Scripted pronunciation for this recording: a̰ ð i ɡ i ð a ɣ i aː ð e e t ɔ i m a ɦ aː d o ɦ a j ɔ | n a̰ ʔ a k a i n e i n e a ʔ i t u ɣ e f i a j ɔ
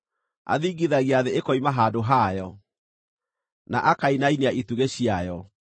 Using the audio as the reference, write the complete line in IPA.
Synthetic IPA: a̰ ð i ɡ i ð a ɣ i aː ð e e k ɔ i m a ɦ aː d o ɦ a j ɔ | n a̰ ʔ a k a i n a i n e a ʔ i t u ɣ e ɕ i a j ɔ